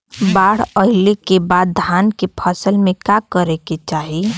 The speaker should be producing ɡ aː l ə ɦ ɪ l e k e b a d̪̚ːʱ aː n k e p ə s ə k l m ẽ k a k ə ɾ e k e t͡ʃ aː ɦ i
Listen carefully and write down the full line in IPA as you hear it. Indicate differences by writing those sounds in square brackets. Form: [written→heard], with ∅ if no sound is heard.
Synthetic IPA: [ɡ→b] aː [l→ɽ] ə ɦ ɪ l e k e b a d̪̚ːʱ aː n k e [p→pʰ] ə s ə [k→∅] l m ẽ k a k ə ɾ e k e t͡ʃ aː ɦ i